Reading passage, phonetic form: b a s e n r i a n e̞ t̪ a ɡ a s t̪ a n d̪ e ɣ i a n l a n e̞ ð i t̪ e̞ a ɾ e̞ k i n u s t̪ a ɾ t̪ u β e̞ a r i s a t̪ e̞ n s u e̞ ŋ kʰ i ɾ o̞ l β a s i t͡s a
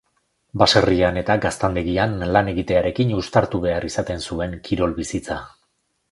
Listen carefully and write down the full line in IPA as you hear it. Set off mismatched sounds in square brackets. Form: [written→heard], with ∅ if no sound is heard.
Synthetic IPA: b a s e [n→∅] r i a n e̞ t̪ a ɡ a s t̪ a n d̪ e ɣ i a n l a n e̞ [ð→ɣ] i t̪ e̞ a ɾ e̞ k i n u s t̪ a ɾ t̪ u β e̞ a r i s a t̪ e̞ n s u e̞ ŋ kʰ i ɾ o̞ l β [a→i] s i t͡s a